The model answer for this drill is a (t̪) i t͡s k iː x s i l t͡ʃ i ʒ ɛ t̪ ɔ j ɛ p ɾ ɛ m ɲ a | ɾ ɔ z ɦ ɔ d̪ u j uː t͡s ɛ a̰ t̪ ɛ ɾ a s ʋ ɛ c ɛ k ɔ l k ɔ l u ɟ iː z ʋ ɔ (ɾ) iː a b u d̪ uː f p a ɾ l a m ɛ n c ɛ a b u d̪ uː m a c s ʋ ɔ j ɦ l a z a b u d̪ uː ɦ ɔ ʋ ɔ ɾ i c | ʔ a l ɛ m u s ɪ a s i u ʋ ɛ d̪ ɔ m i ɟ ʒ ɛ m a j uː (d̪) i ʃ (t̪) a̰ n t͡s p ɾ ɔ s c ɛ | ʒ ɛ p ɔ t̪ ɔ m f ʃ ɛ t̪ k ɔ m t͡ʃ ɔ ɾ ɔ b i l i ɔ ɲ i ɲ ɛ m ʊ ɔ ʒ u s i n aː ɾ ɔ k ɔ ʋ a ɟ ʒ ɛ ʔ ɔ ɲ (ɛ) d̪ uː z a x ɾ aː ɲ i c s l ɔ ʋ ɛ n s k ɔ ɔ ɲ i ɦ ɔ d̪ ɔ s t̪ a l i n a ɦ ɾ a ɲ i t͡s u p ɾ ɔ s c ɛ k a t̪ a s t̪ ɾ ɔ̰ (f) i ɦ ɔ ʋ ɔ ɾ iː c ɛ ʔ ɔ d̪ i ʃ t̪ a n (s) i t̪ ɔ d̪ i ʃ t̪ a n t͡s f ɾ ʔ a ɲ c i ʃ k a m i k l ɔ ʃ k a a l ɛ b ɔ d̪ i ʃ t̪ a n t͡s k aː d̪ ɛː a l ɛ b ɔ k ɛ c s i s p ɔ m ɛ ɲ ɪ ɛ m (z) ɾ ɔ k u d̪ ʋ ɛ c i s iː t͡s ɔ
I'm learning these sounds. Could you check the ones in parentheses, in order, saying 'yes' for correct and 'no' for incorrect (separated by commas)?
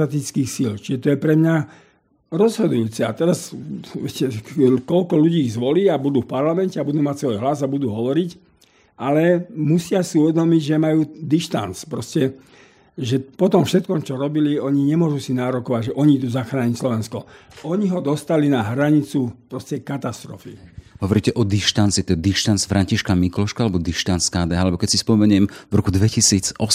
yes, no, yes, yes, no, yes, no, no